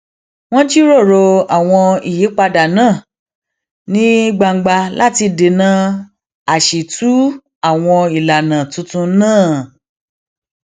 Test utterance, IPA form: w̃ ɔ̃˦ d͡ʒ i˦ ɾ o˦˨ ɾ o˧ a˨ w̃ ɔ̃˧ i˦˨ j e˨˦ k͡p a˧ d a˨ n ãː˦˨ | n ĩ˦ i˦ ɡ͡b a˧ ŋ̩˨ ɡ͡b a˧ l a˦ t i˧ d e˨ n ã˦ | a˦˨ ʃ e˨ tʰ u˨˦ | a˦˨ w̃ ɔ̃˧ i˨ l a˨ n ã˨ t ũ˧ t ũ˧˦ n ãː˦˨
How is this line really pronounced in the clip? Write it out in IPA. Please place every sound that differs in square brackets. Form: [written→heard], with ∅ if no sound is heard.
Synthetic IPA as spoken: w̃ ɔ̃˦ d͡ʒ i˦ ɾ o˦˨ ɾ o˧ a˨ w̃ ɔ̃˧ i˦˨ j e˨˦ k͡p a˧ d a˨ n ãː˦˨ | n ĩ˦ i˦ ɡ͡b a˧ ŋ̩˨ ɡ͡b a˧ l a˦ t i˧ d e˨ n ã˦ | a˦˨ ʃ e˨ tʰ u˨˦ | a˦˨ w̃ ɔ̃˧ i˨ l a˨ n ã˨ t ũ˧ t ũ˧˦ n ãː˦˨